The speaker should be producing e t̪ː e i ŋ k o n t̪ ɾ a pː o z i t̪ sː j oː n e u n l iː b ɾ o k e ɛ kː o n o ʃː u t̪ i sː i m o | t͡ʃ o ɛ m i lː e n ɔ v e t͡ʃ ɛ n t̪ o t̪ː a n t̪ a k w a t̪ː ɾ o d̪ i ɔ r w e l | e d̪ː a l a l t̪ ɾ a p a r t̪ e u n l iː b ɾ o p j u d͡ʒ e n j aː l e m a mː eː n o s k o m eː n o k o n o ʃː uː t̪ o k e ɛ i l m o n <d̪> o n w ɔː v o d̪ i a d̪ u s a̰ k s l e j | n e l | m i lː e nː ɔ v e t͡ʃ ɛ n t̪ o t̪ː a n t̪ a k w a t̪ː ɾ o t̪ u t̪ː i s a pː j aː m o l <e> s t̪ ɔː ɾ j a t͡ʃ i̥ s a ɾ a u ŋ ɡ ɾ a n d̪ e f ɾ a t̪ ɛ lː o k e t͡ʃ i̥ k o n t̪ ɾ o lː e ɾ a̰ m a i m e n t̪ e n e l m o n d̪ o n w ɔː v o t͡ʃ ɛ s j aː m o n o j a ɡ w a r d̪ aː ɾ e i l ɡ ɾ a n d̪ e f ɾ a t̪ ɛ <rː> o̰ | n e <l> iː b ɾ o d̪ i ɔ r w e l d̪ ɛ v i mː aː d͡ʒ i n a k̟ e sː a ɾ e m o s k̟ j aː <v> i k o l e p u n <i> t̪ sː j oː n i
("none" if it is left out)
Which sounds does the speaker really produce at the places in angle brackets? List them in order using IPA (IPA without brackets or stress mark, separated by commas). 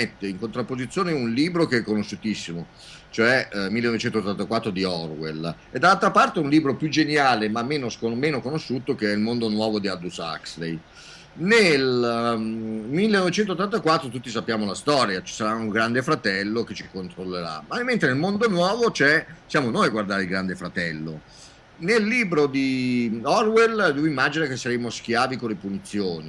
d̪, a, lː, lː, v, i